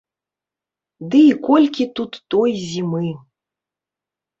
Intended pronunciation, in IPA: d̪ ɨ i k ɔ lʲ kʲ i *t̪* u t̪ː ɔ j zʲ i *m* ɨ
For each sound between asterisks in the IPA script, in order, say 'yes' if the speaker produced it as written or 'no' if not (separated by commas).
yes, yes